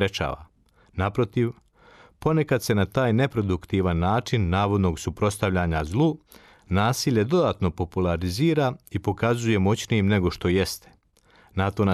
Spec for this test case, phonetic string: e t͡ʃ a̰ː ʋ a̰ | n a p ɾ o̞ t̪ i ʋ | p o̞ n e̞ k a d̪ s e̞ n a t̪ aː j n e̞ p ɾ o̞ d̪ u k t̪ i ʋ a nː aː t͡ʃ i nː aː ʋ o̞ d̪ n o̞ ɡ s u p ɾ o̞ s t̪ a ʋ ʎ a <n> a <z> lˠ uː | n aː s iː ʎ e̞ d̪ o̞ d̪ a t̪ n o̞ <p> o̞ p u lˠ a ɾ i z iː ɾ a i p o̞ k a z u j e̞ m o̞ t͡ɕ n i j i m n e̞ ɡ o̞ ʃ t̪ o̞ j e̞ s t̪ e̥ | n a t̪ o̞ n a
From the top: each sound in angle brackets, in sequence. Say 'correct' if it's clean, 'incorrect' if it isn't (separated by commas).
incorrect, correct, correct